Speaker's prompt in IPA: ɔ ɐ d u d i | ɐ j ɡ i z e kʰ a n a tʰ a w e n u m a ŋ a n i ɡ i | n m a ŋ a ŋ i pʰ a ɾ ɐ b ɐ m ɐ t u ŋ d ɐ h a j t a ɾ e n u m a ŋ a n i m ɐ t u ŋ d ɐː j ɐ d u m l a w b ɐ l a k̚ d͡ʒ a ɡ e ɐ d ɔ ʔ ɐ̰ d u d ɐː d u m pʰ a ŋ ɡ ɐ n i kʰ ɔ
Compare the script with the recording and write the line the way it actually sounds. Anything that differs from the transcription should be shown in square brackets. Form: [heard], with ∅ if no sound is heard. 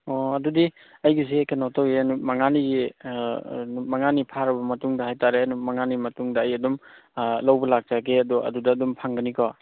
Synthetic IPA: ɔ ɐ d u d i | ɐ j ɡ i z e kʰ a n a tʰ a w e n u m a ŋ a n i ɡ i | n m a ŋ a [n] i pʰ a ɾ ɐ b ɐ m ɐ t u ŋ d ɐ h a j t a ɾ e n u m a ŋ a n i m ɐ t u ŋ d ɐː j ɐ d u m l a w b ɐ l a k̚ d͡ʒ a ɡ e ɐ d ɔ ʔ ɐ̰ d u d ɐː d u m pʰ a ŋ ɡ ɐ n i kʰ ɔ